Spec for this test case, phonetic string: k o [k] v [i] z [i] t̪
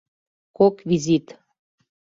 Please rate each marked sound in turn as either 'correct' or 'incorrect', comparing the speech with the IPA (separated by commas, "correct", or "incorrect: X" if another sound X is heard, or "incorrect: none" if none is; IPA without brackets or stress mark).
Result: correct, correct, correct